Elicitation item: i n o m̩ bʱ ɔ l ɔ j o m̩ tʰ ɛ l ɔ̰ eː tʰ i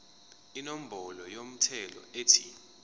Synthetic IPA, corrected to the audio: i n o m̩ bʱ ɔ l ɔ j o m̩ tʰ ɛ l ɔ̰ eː tʰ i